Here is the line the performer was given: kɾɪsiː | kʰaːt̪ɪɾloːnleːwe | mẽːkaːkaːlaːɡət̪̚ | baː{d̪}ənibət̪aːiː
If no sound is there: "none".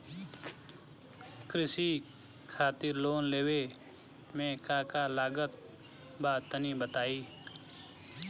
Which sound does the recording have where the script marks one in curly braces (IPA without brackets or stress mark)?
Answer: t̪